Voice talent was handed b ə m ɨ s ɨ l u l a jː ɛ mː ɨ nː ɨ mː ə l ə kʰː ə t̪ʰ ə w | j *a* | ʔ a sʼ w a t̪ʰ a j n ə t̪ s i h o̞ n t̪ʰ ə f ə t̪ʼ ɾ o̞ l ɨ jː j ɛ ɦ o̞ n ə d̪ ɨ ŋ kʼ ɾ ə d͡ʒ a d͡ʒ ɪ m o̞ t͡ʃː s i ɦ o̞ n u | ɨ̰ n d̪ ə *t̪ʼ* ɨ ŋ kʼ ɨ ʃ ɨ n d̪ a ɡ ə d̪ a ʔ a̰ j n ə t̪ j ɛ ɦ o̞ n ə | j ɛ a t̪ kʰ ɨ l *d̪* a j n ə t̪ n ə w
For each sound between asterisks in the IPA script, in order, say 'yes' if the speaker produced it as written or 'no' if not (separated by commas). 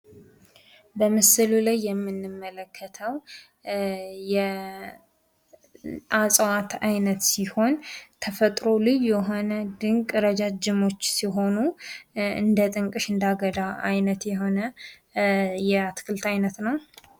no, yes, no